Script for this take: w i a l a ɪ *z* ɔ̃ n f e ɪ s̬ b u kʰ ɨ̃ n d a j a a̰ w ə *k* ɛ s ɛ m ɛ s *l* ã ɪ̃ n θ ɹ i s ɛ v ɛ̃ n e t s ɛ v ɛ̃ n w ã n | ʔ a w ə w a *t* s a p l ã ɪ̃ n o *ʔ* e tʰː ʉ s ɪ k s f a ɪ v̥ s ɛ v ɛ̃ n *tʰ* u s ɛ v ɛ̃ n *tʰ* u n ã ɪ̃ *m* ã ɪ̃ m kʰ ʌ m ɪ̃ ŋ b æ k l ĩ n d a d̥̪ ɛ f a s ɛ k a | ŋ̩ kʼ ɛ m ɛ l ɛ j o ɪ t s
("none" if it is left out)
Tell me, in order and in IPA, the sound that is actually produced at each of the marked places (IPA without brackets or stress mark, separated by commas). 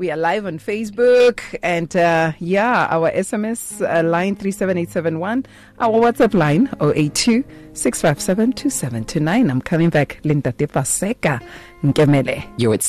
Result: v, ʔ, l, t, ʔ, tʰ, tʰ, n